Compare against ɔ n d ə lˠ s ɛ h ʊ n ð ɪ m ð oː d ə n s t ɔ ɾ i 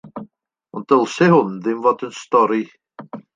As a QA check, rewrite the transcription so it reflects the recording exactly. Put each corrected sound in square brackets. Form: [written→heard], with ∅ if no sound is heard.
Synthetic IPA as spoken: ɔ n d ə lˠ s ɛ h ʊ n ð ɪ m [ð→v] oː d ə n s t ɔ ɾ i